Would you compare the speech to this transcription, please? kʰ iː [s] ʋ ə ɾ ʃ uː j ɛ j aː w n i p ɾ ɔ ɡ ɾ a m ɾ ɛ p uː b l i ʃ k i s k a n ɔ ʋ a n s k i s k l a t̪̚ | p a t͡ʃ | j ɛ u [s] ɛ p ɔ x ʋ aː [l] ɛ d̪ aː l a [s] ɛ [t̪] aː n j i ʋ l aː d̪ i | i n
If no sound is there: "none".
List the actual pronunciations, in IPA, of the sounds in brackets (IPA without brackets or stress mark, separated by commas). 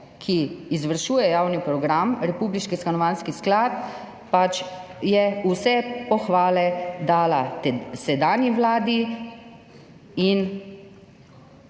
z, s, l, s, d̪